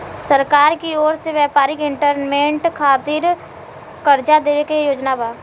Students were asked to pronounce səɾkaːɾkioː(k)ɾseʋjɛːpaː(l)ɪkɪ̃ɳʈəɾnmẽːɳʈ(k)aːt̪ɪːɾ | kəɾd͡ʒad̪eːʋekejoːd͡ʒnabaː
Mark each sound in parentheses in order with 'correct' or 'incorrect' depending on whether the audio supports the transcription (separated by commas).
incorrect, incorrect, incorrect